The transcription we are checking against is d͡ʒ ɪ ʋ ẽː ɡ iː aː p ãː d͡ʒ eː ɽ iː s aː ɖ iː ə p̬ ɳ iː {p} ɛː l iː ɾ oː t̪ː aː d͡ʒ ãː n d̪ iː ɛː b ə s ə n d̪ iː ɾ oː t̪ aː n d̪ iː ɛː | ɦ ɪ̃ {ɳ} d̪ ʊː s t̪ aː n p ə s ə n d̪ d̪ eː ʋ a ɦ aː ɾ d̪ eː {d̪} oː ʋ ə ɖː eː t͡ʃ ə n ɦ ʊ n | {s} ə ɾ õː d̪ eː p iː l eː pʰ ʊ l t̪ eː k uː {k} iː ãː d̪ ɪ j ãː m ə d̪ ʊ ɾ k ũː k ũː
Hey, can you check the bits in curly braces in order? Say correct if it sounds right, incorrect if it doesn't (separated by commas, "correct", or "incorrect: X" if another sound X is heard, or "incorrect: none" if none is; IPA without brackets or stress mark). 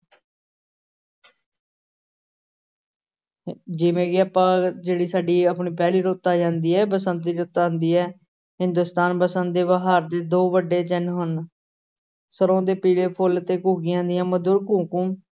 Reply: correct, incorrect: n, correct, correct, incorrect: ɡ